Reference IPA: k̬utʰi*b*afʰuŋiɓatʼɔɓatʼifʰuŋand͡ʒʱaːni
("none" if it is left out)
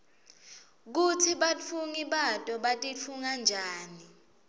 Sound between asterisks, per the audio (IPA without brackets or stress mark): ɓ